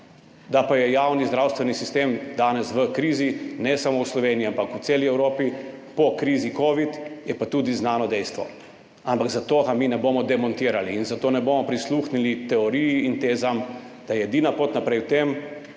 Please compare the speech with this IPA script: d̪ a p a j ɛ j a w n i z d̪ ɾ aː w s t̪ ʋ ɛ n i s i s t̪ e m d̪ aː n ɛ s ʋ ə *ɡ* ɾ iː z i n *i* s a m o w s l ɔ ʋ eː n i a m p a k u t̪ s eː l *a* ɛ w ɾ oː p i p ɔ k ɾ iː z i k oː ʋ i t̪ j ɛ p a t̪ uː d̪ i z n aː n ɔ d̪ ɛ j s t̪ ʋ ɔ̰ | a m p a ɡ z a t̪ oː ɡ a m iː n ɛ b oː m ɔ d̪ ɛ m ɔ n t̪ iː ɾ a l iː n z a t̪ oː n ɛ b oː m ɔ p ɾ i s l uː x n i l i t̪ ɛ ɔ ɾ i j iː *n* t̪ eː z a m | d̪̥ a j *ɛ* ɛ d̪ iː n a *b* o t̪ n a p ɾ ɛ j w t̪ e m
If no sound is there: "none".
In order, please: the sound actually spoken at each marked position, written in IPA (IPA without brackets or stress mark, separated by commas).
k, ɛ, i, n, ɛ, p